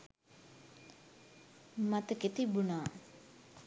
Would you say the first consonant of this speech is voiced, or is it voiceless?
voiced